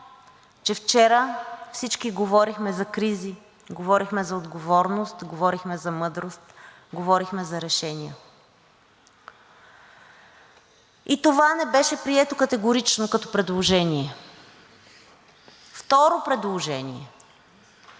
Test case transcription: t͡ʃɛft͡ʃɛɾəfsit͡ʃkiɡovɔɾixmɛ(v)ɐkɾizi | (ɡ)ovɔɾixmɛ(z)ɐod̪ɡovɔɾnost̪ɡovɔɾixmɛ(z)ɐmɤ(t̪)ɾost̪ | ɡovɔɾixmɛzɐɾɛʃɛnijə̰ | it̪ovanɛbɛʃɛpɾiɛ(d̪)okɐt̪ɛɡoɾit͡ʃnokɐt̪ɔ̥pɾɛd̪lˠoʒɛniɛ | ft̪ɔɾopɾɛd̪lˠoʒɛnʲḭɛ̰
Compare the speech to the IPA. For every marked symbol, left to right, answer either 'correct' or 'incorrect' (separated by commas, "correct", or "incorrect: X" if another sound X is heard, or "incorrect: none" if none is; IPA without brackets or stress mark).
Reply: incorrect: z, correct, correct, correct, incorrect: d̪, incorrect: t̪